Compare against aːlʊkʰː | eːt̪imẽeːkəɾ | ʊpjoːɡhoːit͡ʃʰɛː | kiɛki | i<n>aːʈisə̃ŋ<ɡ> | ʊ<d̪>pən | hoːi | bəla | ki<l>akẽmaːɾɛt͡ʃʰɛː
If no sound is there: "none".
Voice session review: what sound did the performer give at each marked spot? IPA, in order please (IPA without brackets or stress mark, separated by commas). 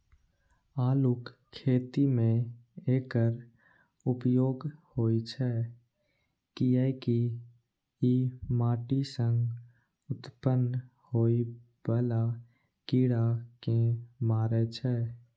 m, ɡ, t̪, ɽ